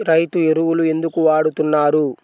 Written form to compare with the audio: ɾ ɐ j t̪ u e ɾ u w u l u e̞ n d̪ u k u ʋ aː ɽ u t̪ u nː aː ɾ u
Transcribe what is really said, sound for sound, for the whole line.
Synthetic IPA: ɾ ɐ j t̪ u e ɾ u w u l u e̞ n d̪ u k u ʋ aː ɽ u t̪ u nː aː ɾ u